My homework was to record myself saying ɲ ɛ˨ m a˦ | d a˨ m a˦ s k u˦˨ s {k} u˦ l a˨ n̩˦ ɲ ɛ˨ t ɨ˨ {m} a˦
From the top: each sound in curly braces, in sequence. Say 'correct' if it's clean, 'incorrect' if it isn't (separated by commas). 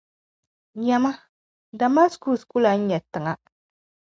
correct, incorrect